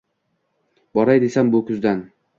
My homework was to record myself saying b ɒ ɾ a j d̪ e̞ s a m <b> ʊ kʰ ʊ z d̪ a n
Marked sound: correct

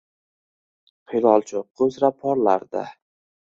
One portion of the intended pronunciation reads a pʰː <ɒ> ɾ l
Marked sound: correct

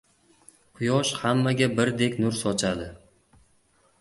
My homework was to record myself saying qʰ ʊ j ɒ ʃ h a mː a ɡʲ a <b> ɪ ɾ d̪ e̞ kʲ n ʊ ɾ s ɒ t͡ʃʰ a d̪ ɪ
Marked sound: correct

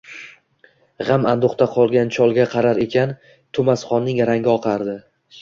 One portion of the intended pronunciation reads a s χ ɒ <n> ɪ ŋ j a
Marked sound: incorrect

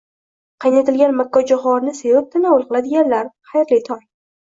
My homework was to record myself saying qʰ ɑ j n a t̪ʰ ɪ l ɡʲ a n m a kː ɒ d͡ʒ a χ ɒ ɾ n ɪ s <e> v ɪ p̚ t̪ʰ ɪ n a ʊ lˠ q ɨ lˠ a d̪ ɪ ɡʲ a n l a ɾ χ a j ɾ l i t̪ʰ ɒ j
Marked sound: correct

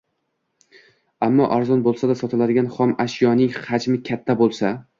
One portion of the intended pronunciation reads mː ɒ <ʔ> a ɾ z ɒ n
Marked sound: correct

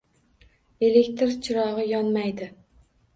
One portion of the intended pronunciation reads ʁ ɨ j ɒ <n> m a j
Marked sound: correct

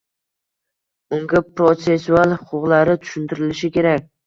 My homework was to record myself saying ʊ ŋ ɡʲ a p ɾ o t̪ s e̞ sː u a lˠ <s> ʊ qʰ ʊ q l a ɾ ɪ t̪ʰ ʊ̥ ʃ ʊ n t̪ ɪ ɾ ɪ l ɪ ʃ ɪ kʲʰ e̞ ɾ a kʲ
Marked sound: incorrect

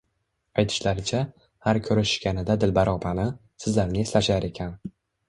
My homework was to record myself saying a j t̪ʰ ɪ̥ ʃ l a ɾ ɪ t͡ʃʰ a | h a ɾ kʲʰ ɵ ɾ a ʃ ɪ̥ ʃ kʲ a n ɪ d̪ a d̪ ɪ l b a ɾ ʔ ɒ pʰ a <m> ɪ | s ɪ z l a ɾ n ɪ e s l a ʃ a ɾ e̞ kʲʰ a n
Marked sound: incorrect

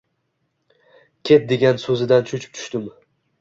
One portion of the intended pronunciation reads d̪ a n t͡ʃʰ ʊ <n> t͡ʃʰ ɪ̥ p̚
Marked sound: incorrect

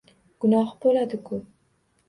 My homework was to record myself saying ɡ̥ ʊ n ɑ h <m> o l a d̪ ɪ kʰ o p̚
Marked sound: incorrect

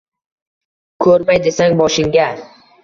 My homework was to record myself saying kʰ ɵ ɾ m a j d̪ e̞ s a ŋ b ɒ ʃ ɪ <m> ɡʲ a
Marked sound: incorrect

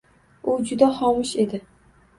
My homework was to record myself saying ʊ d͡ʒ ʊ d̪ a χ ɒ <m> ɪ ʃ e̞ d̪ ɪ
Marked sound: correct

